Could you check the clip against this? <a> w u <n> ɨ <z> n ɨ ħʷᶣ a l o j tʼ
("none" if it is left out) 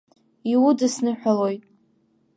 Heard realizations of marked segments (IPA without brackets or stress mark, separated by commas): i, d, s